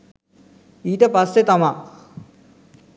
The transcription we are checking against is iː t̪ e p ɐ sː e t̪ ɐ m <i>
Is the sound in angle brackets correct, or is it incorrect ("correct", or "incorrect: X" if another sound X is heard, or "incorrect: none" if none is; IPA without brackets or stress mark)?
incorrect: a